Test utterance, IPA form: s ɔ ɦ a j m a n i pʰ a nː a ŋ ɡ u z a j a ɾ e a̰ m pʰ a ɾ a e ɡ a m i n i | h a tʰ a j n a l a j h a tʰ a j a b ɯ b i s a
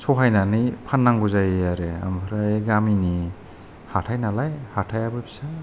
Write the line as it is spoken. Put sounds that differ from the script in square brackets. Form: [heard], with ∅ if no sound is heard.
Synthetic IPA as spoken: s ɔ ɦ a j [n] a n i pʰ a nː a ŋ ɡ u z a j a ɾ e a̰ m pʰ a ɾ a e ɡ a m i n i | h a tʰ a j n a l a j h a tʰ a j a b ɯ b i s a